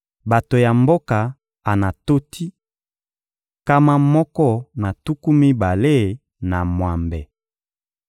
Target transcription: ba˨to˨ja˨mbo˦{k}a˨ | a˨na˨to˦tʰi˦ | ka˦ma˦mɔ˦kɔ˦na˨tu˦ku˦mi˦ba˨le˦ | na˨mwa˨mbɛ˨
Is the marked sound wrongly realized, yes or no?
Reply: no